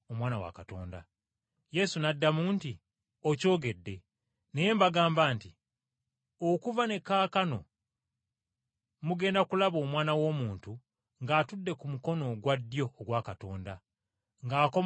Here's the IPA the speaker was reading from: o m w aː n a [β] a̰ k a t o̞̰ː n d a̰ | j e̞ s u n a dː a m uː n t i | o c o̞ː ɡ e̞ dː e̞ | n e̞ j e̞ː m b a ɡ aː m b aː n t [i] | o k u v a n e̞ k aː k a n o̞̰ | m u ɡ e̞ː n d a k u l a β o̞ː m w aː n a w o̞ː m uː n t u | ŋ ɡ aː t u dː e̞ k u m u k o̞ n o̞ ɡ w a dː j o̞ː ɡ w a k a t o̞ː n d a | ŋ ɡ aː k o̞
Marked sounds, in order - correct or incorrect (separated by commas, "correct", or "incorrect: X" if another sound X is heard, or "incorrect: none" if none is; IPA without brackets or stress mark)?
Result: incorrect: w, correct